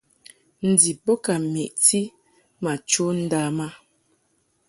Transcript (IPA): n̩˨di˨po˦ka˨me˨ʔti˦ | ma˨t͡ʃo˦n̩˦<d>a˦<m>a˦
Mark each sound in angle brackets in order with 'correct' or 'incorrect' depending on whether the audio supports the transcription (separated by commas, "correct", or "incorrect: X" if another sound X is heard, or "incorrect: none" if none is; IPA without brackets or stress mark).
correct, correct